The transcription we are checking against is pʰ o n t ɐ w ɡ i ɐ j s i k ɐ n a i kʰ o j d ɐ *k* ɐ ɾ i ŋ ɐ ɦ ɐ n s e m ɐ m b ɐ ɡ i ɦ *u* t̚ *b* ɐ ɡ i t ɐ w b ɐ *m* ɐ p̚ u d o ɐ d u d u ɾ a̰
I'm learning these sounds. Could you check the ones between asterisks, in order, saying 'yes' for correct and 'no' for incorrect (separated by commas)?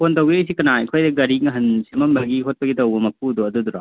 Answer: no, no, no, yes